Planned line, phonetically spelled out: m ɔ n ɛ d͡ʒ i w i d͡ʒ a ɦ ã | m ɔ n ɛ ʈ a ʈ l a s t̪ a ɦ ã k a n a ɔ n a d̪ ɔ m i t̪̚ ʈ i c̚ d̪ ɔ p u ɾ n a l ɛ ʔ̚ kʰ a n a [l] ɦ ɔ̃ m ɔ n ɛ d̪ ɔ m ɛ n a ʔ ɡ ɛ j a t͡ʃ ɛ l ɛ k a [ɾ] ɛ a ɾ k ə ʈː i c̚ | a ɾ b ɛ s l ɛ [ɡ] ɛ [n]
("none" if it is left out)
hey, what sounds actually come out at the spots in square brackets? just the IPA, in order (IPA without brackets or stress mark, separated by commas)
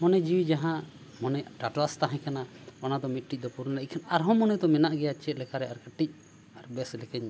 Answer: ɾ, ɾ, k, ɲ